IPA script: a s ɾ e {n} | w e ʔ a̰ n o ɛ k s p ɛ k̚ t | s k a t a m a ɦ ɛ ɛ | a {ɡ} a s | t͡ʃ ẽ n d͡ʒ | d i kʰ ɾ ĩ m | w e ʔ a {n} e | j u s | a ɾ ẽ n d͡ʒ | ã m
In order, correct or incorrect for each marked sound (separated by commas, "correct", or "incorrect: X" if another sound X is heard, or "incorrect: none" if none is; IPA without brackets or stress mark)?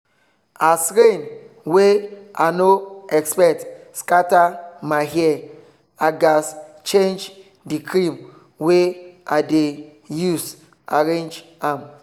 correct, correct, incorrect: d